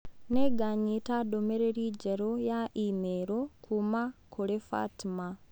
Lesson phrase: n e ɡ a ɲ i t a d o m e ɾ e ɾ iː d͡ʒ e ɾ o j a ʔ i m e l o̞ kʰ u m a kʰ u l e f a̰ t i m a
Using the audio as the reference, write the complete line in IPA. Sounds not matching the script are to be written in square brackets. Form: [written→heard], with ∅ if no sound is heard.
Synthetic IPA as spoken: n e ɡ a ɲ i t a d o m e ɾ e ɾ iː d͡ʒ e ɾ o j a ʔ i m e [l→ɾ] o̞ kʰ u m a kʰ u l e f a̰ t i m a